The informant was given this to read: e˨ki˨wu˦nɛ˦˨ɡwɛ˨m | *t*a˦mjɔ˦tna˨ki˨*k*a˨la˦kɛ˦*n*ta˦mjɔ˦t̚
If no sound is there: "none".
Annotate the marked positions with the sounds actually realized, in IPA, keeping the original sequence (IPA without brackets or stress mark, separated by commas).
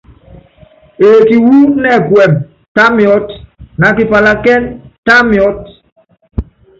t, p, n